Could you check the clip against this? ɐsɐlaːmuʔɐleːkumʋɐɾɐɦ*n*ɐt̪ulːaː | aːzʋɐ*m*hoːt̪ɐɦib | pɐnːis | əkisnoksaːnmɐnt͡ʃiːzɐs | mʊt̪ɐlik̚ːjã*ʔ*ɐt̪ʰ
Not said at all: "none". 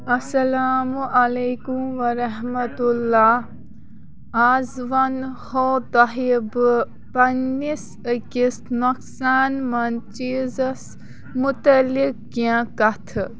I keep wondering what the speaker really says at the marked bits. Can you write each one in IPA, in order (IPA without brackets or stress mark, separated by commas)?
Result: m, n, k